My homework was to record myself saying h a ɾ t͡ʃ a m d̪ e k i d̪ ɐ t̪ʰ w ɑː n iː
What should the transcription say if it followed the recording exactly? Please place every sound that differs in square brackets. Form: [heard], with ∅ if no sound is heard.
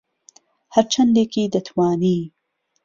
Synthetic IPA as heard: h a ɾ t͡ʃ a [n] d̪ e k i d̪ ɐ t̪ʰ w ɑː n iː